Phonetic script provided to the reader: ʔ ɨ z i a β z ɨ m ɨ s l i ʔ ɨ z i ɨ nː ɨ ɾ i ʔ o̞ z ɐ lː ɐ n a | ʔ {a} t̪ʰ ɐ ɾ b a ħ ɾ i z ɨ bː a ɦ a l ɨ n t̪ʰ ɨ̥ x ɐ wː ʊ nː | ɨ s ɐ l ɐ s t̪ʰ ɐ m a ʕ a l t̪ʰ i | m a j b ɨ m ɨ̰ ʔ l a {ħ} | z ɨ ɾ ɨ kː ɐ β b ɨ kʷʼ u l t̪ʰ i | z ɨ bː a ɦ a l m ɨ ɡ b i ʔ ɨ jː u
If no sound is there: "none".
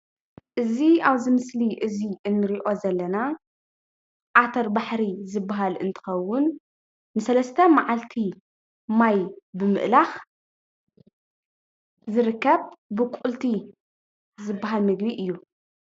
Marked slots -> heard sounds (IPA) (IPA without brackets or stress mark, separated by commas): a, x